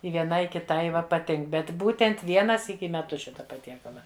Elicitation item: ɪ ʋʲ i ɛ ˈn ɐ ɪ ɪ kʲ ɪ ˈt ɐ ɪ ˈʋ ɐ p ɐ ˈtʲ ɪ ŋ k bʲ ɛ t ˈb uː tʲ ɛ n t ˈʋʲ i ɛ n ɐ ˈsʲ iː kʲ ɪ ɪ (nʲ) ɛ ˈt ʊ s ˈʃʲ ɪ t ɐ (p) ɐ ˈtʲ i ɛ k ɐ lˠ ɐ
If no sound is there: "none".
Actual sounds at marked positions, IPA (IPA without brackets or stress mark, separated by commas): mʲ, p